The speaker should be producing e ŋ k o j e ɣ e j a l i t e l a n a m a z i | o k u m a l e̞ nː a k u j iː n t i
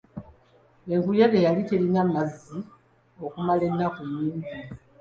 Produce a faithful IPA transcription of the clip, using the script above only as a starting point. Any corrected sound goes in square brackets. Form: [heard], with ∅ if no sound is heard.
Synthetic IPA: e ŋ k [u] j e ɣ e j a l i t e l [i] n a m a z i | o k u m a l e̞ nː a k u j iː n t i